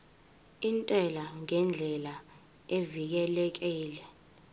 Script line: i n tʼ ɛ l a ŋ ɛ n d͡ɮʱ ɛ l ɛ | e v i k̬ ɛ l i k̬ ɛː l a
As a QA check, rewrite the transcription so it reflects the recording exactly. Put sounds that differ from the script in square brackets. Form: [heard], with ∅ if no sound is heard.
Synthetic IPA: i n tʼ ɛ l a ŋ ɛ n d͡ɮʱ ɛ l [a] | e v i k̬ ɛ l [ɛ] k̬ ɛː l [ɛ]